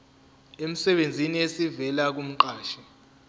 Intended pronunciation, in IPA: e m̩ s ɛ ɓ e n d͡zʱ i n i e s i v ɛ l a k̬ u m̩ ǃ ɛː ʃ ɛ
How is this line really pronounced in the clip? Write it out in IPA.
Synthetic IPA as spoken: e m̩ s ɛ ɓ e n d͡zʱ i n i e s i v ɛ l a k̬ u m̩ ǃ aː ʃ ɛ